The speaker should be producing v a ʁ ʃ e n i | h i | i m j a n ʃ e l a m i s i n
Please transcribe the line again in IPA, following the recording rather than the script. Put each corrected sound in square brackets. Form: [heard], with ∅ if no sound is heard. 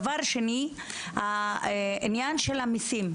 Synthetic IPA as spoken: v a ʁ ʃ e n i | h [a] | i [n] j a n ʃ e l a m i s i [m]